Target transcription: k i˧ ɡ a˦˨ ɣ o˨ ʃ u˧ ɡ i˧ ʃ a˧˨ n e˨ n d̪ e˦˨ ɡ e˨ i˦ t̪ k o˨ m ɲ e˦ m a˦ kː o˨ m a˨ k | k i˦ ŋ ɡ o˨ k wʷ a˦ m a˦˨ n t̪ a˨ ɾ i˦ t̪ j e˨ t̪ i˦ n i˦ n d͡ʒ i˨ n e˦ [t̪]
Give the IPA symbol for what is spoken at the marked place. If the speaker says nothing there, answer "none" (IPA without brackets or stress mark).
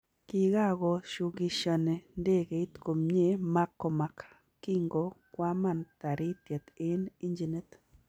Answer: t̪